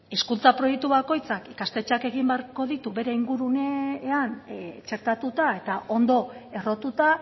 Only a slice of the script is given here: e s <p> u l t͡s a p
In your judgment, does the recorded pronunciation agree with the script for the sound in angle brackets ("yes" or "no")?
no